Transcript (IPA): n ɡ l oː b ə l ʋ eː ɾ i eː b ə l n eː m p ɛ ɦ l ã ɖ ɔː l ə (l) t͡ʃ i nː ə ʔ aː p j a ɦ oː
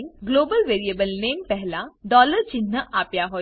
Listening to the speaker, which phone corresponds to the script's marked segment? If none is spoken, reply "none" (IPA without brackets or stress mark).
ɾ